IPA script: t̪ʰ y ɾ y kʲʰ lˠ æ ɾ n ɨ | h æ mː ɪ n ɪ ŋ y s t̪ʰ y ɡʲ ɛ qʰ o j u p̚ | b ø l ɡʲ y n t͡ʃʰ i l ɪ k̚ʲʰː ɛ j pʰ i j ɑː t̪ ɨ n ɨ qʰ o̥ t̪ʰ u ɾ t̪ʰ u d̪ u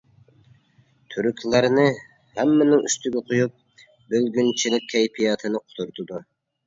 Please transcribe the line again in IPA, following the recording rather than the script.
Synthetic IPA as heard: t̪ʰ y ɾ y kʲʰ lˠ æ ɾ n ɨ | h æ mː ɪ n ɪ ŋ y s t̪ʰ y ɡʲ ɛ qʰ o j u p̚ | b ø l ɡʲ y n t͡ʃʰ i l ɪ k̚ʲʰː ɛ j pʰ i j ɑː t̪ʰ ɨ n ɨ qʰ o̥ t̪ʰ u ɾ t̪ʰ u d̪ u